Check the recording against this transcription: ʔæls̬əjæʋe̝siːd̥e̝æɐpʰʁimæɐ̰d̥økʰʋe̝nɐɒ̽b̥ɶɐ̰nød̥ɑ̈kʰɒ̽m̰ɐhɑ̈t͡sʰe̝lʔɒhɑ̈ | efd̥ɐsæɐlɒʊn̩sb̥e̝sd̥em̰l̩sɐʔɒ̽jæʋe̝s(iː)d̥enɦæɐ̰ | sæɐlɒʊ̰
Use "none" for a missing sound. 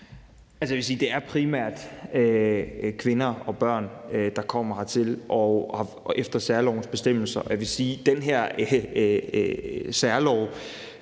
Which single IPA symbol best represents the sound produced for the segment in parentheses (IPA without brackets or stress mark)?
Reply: iː